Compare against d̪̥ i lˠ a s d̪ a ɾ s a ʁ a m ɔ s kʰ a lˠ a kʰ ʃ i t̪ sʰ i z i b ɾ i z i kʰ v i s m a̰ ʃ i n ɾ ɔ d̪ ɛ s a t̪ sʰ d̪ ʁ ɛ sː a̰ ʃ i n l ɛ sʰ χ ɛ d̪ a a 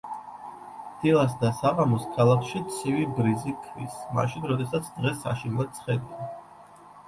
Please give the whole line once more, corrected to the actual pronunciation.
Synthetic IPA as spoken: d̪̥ i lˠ a s d̪ a s a ʁ a m ɔ s kʰ a lˠ a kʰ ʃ i t̪ sʰ i v i b ɾ i z i kʰ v i s m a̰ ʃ i n ɾ ɔ d̪ ɛ s a t̪ sʰ d̪ ʁ ɛ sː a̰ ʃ i n l ɛ sʰ χ ɛ d̪ i a